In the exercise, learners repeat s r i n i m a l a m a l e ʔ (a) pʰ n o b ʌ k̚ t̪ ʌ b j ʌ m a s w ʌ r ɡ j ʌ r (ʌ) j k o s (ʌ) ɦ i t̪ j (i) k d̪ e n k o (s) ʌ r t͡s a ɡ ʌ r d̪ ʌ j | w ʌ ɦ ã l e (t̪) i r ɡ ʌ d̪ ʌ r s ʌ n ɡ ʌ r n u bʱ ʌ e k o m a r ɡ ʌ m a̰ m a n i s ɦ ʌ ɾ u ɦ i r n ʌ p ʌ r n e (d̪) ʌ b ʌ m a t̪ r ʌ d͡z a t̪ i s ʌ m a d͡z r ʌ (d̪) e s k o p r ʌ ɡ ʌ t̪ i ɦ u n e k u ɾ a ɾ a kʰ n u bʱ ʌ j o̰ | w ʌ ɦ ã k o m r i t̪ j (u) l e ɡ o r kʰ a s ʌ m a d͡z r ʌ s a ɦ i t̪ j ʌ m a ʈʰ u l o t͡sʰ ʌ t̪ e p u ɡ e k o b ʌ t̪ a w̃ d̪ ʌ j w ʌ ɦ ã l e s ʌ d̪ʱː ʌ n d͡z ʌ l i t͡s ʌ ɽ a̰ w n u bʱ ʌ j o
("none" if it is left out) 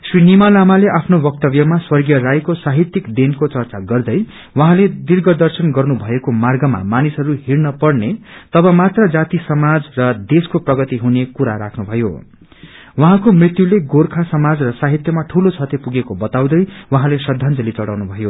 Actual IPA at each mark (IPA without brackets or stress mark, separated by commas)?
a, a, a, i, t͡s, d̪, t̪, d̪, u